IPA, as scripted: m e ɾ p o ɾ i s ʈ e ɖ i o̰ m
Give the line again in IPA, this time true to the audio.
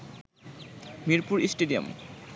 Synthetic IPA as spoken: m i ɾ p u ɾ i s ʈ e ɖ i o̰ m

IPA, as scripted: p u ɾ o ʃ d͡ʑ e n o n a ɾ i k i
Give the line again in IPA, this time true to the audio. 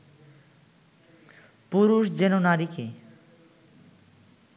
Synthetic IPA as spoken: p u ɾ u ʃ d͡ʑ e n o n a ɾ i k e

